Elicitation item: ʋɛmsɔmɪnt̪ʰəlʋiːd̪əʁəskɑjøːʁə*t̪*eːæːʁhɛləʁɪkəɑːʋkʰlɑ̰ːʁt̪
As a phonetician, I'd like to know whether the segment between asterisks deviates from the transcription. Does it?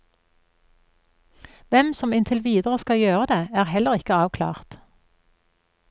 yes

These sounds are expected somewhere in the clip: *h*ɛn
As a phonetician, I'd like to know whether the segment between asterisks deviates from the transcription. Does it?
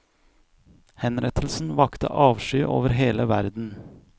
no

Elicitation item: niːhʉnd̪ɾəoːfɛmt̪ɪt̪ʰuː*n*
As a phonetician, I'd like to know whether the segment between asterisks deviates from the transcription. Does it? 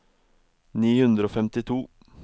yes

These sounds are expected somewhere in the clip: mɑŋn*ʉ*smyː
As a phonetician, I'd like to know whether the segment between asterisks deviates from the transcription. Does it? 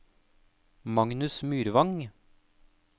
no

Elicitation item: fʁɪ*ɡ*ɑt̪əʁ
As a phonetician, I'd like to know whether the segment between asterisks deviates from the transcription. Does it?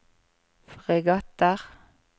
no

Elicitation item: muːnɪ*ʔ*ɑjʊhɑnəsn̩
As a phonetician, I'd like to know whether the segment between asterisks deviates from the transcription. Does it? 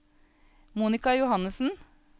yes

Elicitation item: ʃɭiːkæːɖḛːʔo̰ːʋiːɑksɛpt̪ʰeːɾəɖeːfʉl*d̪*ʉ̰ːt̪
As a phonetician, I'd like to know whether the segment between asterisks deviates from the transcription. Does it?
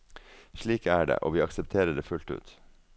yes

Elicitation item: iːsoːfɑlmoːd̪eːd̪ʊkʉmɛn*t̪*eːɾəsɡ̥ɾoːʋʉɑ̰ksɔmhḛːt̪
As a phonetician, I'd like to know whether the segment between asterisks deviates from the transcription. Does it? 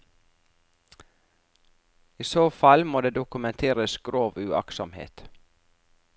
yes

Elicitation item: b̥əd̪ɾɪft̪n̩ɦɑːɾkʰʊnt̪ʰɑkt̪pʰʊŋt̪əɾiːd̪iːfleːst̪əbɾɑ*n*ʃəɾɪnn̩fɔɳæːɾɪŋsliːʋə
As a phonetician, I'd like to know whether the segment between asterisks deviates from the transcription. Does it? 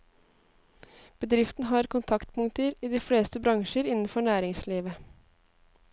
yes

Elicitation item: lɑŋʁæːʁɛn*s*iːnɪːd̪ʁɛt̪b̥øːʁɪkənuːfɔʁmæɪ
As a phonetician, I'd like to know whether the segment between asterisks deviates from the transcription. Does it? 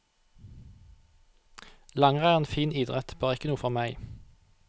yes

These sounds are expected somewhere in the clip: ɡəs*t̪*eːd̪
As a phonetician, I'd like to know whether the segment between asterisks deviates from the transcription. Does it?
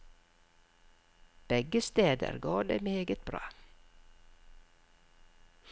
no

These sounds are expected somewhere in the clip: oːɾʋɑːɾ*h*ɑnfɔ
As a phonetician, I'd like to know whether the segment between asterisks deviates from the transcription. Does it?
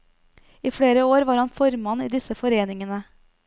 no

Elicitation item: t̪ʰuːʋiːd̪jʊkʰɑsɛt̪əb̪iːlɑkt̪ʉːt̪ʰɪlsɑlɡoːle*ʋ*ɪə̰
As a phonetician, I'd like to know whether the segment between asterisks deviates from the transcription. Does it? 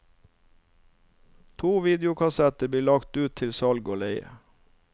yes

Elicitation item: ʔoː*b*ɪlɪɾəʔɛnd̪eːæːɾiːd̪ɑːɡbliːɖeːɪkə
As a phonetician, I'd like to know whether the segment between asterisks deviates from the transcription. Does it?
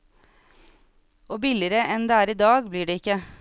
no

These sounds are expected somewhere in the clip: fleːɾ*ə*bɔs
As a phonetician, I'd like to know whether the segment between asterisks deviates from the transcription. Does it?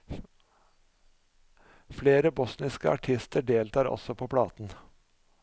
no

